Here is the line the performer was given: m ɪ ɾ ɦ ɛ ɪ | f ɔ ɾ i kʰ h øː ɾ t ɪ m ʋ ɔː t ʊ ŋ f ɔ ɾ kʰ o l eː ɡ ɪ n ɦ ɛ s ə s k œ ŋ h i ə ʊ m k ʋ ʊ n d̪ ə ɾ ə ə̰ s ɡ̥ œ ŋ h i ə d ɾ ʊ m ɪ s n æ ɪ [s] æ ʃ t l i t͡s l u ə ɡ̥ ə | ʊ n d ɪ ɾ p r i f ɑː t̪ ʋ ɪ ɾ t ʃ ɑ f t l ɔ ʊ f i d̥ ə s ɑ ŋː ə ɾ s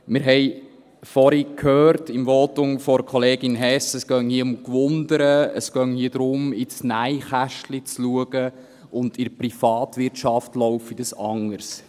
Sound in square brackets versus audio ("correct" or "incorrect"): incorrect